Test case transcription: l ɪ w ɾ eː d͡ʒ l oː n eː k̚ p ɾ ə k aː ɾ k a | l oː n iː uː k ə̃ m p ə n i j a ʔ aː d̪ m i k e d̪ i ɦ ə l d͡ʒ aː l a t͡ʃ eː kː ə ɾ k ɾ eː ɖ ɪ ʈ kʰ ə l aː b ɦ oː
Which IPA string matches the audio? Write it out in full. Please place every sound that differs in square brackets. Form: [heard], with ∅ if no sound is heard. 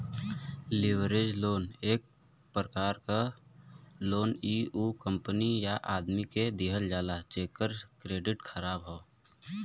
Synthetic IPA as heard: l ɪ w ɾ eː d͡ʒ l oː n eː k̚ p ɾ ə k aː ɾ k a | l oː n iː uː k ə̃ m p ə n i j a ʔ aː d̪ m i k e d̪ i ɦ ə l d͡ʒ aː l a t͡ʃ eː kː ə ɾ k ɾ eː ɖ ɪ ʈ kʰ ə [ɾ] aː b ɦ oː